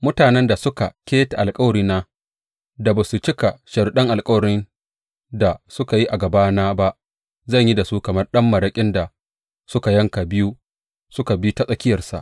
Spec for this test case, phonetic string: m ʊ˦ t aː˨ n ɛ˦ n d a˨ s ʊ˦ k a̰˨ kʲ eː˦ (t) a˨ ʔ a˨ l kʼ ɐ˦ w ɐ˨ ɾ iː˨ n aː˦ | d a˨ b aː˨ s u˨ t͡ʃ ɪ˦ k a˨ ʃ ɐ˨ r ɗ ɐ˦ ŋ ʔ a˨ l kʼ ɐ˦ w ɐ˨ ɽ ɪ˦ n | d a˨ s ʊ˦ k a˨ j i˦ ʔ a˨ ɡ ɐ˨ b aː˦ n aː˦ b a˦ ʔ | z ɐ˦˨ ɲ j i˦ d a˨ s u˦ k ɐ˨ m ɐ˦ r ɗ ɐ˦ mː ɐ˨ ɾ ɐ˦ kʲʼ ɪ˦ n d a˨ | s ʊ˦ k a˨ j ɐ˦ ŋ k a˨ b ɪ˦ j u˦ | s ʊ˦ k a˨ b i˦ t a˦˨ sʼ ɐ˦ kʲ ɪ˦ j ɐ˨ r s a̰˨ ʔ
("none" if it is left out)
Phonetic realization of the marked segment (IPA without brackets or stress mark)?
t